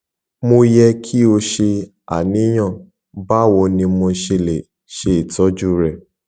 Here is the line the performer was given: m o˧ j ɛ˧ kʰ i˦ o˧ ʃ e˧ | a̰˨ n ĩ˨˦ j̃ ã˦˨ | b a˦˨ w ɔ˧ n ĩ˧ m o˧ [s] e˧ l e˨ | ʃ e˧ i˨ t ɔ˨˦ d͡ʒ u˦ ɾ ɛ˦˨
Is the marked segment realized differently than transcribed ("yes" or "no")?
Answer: yes